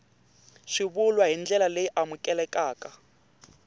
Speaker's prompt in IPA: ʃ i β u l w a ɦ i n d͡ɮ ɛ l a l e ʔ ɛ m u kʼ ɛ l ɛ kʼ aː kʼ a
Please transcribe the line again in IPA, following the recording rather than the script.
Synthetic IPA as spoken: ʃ i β u l w a ɦ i n d͡ɮ ɛ l a l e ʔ a m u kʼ ɛ l ɛ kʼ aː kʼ a